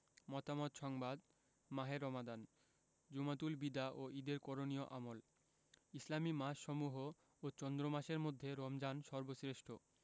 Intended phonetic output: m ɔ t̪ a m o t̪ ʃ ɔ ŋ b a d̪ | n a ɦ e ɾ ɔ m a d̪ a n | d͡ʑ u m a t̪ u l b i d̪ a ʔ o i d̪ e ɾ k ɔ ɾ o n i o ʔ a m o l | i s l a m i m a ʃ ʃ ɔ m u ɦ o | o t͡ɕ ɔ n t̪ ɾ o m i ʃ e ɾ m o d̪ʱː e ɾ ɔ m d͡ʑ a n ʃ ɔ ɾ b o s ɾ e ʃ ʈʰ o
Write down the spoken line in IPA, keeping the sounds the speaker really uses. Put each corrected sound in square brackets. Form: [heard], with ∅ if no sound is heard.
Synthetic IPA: m ɔ t̪ a m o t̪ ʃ ɔ ŋ b a d̪ | [m] a ɦ e ɾ ɔ m a d̪ a n | d͡ʑ u m a t̪ u l b i d̪ a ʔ o i d̪ e ɾ k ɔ ɾ o n i o ʔ a m o l | i s l a m i m a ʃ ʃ ɔ m u ɦ o | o t͡ɕ ɔ n [d̪] ɾ o m [a] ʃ e ɾ m o d̪ʱː e ɾ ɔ m d͡ʑ a n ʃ ɔ ɾ b o s ɾ e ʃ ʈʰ o